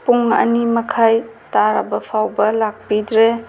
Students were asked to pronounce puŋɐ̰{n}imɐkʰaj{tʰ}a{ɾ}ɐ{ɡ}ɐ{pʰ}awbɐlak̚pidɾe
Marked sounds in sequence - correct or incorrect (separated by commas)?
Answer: correct, incorrect, correct, incorrect, correct